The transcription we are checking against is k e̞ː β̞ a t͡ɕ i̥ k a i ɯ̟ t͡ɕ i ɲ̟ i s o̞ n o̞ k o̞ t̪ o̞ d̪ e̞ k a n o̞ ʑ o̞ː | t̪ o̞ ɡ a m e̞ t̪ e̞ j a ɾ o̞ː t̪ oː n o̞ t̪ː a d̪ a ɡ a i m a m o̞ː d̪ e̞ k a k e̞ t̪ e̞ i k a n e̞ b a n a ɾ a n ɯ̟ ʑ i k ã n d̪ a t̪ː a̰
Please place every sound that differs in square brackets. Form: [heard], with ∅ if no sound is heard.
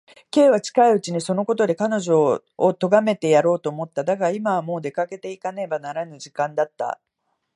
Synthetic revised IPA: k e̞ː β̞ a t͡ɕ i̥ k a i ɯ̟ t͡ɕ i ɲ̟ i s o̞ n o̞ k o̞ t̪ o̞ d̪ e̞ k a n o̞ ʑ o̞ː | t̪ o̞ ɡ a m e̞ t̪ e̞ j a ɾ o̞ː t̪ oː [m] o̞ t̪ː a d̪ a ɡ a i m a m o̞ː d̪ e̞ k a k e̞ t̪ e̞ i k a n e̞ b a n a ɾ a n ɯ̟ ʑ i k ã n d̪ a t̪ː a̰